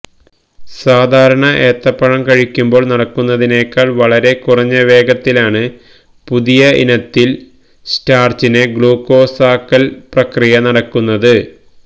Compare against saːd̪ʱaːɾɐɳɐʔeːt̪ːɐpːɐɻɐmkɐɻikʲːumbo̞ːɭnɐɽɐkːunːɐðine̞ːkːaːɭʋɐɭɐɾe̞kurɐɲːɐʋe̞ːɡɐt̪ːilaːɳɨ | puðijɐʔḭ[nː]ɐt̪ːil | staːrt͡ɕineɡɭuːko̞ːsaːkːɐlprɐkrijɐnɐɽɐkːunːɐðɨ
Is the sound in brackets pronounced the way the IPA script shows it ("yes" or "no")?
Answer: no